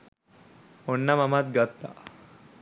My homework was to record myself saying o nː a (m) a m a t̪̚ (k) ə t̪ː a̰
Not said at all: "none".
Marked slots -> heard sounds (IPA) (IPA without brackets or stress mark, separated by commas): m, ɡ